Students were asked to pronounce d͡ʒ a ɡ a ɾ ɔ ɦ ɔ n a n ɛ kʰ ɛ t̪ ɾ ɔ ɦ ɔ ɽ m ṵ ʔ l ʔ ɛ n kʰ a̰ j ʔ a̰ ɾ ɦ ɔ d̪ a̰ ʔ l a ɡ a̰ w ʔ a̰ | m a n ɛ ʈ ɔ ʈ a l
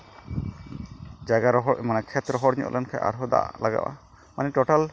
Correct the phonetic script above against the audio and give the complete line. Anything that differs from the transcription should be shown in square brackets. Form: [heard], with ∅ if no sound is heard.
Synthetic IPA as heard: d͡ʒ a ɡ a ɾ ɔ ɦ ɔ [m] a n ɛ kʰ ɛ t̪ ɾ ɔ ɦ ɔ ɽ [ɲ] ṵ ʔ l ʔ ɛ n kʰ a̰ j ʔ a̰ ɾ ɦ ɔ d̪ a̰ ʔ l a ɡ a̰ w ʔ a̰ | m a n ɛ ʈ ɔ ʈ a l